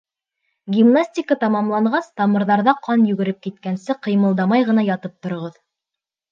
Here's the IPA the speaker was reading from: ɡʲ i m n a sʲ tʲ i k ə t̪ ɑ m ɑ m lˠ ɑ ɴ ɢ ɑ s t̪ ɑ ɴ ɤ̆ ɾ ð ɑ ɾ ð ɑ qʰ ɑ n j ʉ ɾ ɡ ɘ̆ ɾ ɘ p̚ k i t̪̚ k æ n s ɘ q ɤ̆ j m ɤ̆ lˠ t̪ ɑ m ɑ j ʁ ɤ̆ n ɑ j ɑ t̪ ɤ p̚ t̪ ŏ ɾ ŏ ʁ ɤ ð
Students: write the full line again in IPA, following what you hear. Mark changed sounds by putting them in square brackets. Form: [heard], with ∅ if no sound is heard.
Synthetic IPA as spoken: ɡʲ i m n a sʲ tʲ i k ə t̪ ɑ m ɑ m lˠ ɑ ɴ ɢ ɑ s t̪ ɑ [m] ɤ̆ ɾ ð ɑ ɾ ð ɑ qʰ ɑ n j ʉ [∅] ɡ ɘ̆ ɾ ɘ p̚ k i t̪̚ k æ n s ɘ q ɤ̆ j m ɤ̆ lˠ [d̪] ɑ m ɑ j ʁ ɤ̆ n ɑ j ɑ t̪ ɤ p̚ t̪ ŏ ɾ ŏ ʁ ɤ ð